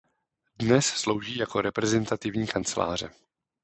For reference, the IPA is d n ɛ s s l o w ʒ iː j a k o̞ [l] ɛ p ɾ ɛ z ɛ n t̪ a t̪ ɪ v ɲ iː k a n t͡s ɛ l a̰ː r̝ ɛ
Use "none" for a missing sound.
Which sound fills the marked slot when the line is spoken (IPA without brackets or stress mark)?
ɾ